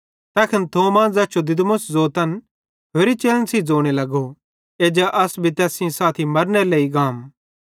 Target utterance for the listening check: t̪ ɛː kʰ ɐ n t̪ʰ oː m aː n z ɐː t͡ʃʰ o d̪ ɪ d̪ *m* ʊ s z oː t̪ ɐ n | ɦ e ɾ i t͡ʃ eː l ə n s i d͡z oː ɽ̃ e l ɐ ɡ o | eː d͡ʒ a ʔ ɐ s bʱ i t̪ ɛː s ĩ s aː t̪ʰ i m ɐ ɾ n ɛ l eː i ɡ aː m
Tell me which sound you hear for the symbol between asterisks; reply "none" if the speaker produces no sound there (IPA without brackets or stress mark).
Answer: m